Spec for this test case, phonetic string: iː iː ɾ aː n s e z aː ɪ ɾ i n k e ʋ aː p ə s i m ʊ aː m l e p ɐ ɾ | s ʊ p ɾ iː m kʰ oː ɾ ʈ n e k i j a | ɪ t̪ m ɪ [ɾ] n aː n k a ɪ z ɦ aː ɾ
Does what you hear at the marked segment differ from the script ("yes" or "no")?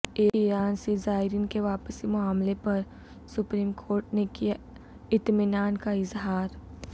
yes